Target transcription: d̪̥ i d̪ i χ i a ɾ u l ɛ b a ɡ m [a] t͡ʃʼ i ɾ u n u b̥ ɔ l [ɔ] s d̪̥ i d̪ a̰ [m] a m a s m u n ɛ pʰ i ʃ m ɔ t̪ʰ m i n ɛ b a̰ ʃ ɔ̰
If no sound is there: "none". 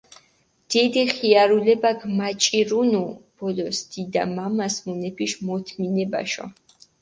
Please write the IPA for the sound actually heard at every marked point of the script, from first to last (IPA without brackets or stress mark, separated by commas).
a, ɔ, m